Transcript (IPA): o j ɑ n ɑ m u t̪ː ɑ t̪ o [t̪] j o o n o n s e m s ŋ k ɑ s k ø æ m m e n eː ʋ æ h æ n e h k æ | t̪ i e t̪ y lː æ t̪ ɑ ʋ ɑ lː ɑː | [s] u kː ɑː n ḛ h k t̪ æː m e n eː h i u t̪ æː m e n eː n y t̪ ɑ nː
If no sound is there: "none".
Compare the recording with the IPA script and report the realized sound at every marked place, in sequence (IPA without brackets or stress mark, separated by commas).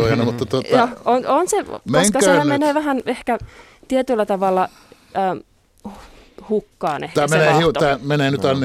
t̪, h